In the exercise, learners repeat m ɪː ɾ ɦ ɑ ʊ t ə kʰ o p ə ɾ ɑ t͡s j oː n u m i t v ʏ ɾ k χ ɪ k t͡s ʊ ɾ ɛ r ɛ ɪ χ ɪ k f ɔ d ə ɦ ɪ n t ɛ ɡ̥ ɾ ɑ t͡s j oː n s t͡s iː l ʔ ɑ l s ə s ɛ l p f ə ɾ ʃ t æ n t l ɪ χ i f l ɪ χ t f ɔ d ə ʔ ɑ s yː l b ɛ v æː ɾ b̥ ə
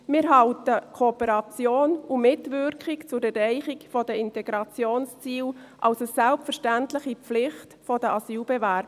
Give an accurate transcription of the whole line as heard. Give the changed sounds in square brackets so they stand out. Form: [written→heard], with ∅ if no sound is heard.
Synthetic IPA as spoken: m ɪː ɾ ɦ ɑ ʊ t ə kʰ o p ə ɾ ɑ t͡s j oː n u m [i→ɪ] t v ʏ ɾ k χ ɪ k t͡s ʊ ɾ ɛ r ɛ ɪ χ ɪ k f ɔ d ə [ɦ→∅] ɪ n t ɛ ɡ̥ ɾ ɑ t͡s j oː n s t͡s iː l ʔ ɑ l s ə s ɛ l p f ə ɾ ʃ t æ n t l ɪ χ i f l ɪ χ t f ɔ d ə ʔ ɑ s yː l b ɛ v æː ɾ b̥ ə